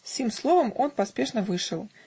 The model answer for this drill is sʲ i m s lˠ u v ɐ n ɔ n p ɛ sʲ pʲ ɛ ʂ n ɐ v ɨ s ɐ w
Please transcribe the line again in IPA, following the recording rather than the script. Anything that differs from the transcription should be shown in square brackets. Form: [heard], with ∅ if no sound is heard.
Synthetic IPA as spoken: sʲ i m s lˠ [ɔ] v ɐ [m] ɔ n p [a] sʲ pʲ ɛ ʂ n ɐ v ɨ [ʂ] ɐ w